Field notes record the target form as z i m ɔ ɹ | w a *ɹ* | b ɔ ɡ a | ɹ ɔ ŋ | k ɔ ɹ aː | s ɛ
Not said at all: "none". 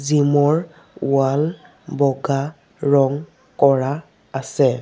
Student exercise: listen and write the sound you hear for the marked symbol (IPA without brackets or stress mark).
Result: l